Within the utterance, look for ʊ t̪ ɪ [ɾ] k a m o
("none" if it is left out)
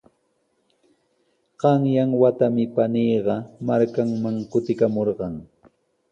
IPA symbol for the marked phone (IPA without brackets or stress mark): none